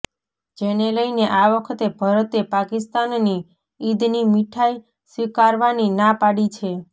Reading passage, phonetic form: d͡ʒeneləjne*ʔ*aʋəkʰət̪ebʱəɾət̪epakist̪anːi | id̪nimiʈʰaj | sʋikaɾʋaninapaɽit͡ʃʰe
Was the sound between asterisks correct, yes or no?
yes